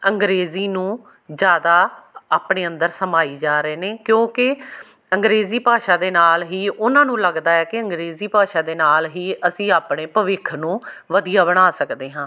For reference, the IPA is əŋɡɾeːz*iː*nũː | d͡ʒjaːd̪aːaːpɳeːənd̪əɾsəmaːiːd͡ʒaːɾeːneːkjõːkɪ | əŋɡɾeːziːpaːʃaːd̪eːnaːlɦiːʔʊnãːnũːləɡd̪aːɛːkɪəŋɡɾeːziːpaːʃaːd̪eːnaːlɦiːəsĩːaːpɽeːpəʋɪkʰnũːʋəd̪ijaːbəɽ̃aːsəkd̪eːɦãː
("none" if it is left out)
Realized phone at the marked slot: iː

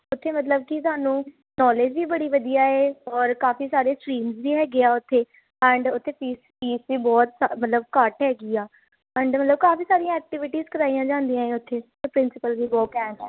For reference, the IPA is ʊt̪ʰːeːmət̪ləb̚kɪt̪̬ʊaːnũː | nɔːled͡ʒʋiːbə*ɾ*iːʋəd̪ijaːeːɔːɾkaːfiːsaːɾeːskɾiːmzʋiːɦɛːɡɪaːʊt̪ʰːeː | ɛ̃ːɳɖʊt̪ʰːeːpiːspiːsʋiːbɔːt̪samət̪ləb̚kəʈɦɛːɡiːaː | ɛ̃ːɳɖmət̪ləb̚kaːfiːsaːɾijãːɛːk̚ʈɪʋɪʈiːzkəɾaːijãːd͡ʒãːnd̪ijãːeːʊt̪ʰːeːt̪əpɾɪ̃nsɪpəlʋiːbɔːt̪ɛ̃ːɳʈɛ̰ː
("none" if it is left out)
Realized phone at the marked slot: ɽ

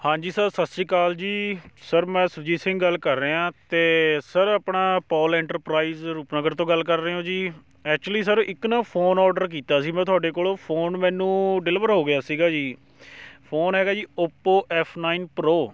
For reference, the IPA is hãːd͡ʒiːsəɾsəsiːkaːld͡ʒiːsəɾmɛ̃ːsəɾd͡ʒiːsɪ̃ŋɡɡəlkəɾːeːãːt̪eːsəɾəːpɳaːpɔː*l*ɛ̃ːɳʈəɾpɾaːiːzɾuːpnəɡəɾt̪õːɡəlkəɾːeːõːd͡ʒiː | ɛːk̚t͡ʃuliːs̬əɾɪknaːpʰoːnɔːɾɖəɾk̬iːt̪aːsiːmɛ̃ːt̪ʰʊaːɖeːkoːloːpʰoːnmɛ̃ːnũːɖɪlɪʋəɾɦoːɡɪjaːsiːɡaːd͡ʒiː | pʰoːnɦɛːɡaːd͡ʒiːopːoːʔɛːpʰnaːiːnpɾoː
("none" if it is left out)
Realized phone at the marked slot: l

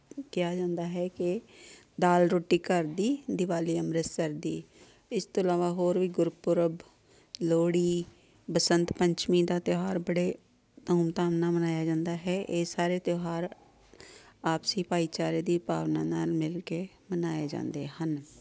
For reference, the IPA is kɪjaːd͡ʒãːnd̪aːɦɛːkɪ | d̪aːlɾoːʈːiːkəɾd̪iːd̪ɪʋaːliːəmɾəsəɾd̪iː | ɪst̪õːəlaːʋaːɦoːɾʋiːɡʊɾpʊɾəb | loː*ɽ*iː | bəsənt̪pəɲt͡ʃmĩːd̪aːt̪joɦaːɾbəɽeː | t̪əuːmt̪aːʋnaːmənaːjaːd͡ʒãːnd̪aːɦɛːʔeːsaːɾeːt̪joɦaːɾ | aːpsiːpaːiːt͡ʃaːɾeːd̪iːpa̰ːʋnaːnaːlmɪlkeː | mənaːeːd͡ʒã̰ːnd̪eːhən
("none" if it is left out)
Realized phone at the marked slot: ɽ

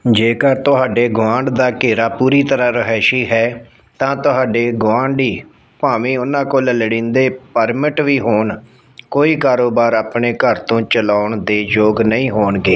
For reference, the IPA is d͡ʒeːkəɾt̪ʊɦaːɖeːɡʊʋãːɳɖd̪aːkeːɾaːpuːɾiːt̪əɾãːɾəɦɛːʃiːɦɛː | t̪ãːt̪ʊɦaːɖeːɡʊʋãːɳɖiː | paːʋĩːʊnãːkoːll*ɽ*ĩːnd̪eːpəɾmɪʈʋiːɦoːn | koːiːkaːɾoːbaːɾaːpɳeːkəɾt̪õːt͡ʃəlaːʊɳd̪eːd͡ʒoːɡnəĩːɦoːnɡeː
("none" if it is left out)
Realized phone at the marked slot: ɽ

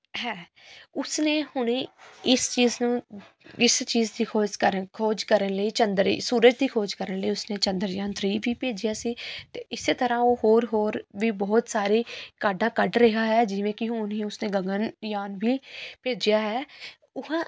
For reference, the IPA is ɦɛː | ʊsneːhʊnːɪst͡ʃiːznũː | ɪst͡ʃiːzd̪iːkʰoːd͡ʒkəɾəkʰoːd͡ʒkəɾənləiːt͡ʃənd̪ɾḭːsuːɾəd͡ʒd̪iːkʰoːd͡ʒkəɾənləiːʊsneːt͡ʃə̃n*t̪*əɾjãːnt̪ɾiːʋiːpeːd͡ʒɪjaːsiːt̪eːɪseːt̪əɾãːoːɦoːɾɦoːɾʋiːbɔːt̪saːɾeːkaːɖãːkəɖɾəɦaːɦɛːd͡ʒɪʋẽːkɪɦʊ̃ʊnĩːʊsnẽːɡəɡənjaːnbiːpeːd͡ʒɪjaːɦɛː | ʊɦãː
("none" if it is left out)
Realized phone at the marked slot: d̪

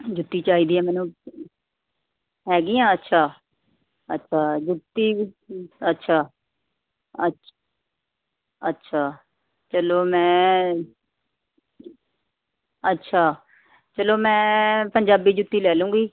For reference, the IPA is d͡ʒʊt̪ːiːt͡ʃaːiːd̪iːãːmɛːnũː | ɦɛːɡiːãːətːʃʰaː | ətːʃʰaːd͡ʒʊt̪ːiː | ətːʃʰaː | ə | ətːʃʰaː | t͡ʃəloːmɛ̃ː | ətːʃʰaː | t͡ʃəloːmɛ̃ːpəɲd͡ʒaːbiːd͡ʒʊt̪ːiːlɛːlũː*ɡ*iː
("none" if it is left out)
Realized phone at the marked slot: ɡ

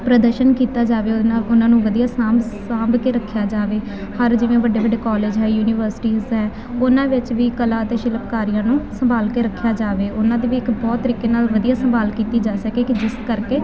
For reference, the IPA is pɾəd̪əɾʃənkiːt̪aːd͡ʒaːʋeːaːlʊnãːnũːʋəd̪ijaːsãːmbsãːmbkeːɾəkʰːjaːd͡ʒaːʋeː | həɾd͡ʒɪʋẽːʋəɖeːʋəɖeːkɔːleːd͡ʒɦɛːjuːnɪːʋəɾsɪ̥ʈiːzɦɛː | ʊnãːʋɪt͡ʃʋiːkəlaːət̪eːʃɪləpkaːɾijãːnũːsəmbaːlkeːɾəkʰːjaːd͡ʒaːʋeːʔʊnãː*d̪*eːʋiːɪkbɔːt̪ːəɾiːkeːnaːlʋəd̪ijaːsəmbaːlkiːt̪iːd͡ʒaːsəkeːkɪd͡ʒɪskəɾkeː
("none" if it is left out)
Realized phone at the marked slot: d̪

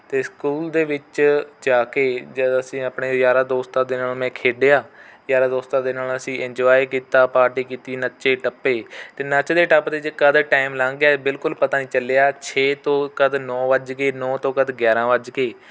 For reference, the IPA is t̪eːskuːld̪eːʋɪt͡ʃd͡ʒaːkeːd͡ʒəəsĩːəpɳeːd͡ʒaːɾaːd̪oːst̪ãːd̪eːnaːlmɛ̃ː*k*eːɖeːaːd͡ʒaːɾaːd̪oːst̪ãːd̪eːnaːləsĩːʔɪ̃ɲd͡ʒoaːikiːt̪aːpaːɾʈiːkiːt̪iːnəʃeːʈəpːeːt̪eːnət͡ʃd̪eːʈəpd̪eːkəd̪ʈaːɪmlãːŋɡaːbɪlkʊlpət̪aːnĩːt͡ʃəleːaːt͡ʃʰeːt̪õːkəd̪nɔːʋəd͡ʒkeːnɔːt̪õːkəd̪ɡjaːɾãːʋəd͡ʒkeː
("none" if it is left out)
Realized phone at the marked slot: kʰ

